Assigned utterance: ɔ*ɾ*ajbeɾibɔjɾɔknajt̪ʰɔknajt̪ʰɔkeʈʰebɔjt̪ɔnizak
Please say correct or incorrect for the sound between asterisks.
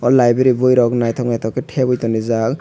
incorrect